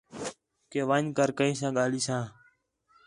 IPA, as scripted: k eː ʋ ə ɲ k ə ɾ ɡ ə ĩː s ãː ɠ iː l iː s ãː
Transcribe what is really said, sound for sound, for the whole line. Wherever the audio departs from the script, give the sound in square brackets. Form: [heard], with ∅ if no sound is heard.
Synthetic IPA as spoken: k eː ʋ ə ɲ k ə ɾ [k] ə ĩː s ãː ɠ [aː] l iː s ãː

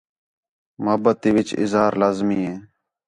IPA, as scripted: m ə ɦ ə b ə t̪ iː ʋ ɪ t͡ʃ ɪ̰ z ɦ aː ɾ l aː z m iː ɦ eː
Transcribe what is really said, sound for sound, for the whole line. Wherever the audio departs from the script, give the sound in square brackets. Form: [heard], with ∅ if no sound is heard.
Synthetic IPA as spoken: m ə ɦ ə b ə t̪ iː ʋ ɪ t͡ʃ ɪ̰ z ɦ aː ɾ l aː z m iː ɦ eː

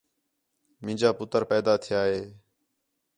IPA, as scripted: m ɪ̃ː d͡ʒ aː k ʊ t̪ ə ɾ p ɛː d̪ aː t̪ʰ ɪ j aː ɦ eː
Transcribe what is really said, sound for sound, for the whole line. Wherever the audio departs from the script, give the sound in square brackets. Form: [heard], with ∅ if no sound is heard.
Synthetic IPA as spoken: m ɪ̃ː d͡ʒ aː [p] ʊ t̪ ə ɾ p ɛː d̪ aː t̪ʰ ɪ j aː ɦ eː

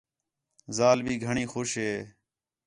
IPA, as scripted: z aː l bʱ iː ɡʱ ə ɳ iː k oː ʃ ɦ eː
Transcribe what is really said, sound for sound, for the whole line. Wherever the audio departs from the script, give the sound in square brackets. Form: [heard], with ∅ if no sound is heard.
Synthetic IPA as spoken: z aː l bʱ iː ɡʱ ə ɳ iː [x] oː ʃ ɦ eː

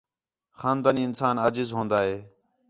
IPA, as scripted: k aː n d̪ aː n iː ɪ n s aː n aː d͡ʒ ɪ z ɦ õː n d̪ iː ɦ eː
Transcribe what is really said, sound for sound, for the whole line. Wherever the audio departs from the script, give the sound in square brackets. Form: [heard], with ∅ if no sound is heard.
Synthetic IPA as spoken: [x] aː n d̪ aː n iː ɪ n s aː n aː d͡ʒ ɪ z ɦ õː n d̪ [aː] ɦ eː

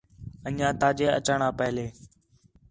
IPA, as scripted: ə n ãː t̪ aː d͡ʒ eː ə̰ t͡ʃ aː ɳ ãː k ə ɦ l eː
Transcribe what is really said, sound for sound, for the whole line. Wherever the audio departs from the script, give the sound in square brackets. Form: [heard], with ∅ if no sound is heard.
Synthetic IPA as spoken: ə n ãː t̪ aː d͡ʒ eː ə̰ t͡ʃ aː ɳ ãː [p] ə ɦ l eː

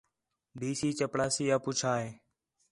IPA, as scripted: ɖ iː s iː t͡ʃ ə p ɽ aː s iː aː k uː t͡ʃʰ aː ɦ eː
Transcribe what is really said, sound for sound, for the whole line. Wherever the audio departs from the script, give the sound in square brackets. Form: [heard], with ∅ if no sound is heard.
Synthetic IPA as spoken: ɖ iː s iː t͡ʃ ə p ɽ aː s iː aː [p] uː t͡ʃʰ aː ɦ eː

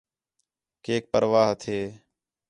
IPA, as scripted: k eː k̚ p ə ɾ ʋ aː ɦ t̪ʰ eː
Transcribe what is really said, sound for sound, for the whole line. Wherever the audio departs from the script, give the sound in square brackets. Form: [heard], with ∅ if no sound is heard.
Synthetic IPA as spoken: k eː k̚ p ə ɾ ʋ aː ɦ t̪ʰ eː

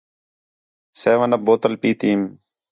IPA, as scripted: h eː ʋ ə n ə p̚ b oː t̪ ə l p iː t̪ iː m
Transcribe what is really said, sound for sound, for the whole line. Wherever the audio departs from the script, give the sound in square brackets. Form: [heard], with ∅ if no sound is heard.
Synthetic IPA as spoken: [s] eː ʋ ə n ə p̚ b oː t̪ ə l p iː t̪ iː m

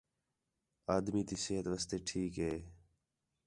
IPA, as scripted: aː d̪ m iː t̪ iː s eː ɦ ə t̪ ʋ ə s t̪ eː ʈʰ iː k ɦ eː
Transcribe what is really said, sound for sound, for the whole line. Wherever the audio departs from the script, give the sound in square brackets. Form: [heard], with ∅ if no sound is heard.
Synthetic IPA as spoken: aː d̪ m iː t̪ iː s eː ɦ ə t̪ ʋ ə s t̪ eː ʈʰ iː k ɦ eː

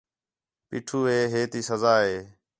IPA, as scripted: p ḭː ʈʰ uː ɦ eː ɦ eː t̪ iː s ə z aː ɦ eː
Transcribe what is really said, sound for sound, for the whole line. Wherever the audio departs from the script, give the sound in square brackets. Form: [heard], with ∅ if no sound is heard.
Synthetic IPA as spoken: p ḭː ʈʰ uː ɦ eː ɦ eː t̪ iː s ə z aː ɦ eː

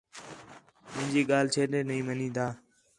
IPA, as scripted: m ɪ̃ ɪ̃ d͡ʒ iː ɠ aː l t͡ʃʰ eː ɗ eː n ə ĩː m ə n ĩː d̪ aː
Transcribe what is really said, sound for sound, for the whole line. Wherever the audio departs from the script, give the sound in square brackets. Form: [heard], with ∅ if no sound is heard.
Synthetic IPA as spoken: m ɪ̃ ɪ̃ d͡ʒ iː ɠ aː l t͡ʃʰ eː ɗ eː n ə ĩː m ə n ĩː d̪ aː

